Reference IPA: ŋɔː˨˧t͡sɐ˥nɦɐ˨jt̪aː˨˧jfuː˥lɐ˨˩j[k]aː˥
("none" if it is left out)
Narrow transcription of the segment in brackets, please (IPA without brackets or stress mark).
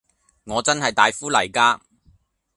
k